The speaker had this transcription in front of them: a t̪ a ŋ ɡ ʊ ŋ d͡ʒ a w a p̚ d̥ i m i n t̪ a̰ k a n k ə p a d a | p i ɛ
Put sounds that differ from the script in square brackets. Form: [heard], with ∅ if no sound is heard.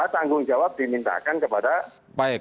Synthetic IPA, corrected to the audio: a t̪ a ŋ ɡ ʊ ŋ d͡ʒ a w a p̚ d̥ i m i n t̪ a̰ k a n k ə p a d a | p [a] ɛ